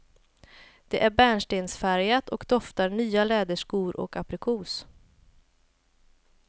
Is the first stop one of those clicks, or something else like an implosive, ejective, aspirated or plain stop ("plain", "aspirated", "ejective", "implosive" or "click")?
plain